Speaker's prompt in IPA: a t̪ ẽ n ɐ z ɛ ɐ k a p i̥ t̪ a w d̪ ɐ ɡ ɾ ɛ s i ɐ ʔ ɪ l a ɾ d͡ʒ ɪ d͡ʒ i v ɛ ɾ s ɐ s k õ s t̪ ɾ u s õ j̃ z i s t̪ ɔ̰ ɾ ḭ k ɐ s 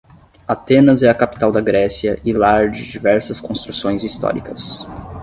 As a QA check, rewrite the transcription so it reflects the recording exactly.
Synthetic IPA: a t̪ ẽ n ɐ z ɛ ɐ k a p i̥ t̪ a w d̪ ɐ ɡ ɾ ɛ s i ɐ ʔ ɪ l a ɾ d͡ʒ ɪ d͡ʒ i v ɛ ɾ s ɐ s k õ s t̪ ɾ u s õ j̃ z i s t̪ ɔ̰ ɾ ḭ k ɐ s